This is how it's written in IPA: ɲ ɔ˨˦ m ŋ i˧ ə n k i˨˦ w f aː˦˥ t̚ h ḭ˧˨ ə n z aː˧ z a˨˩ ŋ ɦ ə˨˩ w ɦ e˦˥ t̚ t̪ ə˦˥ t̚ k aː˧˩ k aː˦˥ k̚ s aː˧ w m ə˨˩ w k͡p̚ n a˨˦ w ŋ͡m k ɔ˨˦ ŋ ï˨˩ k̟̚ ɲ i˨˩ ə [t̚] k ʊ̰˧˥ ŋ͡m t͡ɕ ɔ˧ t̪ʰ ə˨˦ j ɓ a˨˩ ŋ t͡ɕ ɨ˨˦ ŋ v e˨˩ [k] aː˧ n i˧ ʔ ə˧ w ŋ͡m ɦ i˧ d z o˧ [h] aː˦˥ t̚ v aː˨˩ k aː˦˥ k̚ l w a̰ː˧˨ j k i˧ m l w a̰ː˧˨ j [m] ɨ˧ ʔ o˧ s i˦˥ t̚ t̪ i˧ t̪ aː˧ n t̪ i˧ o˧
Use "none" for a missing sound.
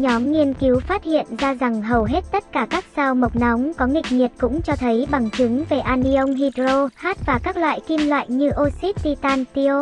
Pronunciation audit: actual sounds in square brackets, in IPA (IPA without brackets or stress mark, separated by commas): t̚, ʔ, h, ɲ